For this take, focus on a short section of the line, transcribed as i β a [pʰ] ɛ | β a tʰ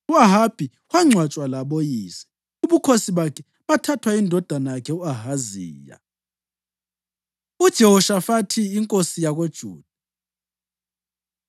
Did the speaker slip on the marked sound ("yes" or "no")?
yes